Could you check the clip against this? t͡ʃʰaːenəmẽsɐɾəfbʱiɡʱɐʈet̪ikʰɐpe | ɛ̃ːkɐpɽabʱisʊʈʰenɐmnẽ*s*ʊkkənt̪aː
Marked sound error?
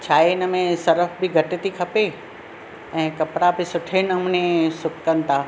no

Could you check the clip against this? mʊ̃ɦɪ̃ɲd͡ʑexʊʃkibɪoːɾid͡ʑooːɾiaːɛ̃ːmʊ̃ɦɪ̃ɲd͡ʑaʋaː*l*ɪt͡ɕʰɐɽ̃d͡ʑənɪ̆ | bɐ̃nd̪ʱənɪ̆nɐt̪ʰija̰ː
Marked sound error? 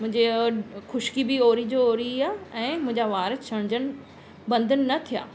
yes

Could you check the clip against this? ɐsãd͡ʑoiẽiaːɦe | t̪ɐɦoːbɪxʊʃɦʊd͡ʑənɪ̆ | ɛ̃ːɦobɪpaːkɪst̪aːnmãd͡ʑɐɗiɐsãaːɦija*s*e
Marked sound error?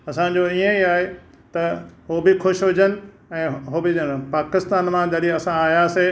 no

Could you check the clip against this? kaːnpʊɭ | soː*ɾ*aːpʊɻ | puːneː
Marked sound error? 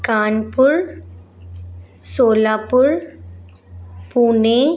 yes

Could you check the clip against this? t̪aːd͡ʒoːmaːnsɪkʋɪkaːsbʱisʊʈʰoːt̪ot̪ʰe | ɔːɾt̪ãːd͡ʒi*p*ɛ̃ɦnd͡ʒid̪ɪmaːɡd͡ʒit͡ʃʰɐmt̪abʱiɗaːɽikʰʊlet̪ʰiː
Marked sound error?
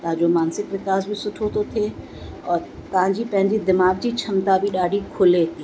no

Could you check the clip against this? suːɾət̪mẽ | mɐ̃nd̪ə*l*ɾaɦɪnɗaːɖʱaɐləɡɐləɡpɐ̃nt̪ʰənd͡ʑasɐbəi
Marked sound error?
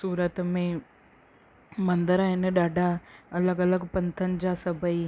yes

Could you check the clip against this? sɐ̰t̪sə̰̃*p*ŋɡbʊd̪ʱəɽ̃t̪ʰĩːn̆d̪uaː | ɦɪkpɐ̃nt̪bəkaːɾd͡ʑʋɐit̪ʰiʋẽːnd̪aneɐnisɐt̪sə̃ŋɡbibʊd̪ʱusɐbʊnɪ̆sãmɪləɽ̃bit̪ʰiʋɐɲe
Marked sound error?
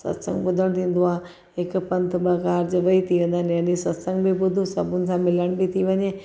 yes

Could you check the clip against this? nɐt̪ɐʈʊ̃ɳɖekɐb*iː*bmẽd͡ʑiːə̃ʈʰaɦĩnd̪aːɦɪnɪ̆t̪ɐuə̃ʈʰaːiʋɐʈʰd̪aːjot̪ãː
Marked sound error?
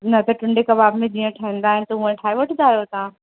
yes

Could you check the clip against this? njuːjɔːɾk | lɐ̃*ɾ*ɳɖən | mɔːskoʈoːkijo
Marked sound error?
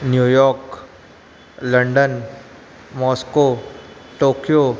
yes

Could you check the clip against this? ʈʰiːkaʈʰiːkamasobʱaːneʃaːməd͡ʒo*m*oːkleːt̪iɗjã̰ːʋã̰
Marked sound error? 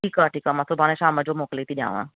no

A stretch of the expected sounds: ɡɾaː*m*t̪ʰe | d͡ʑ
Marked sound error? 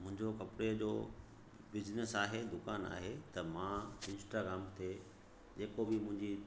no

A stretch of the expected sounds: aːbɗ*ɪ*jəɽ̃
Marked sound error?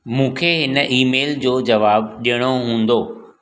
yes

